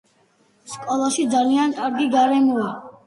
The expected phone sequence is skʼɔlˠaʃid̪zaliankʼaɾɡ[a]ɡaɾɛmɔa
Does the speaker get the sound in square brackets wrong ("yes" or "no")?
yes